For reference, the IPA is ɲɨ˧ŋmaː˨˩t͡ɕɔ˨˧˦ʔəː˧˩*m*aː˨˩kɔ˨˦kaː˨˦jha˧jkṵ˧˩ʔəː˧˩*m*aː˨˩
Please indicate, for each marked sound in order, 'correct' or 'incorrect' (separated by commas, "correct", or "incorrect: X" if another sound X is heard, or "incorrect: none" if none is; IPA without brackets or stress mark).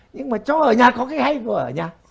incorrect: ɲ, incorrect: ɲ